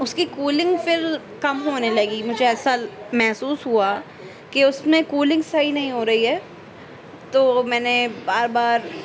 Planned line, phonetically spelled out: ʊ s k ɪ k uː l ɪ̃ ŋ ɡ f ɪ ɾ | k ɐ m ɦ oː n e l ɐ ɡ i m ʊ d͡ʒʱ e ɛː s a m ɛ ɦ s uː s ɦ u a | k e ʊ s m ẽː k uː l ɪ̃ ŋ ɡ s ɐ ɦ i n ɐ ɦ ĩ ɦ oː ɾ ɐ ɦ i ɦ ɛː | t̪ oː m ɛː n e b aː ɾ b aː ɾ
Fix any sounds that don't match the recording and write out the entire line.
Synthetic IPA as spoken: ʊ s k i k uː l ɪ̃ ŋ ɡ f ɪ ɾ | k ɐ m ɦ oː n e l ɐ ɡ i m ʊ d͡ʒʱ e ɛː s a m ɛ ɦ s uː s ɦ u a | k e ʊ s m ẽ k uː l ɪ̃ ŋ ɡ s ɐ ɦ i n ɐ ɦ ĩ ɦ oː ɾ ɐ ɦ i ɦ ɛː | t̪ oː m ɛː n e b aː ɾ b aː ɾ